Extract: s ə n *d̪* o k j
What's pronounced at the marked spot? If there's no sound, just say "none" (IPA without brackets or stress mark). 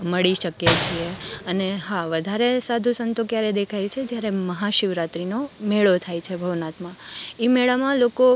t̪